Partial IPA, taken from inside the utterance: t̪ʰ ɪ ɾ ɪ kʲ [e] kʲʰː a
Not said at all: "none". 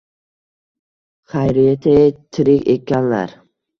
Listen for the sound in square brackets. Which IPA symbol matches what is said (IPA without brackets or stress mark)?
e